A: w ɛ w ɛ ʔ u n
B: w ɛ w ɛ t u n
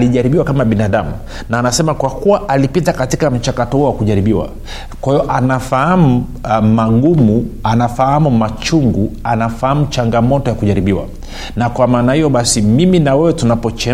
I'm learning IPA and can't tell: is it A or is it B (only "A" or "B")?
B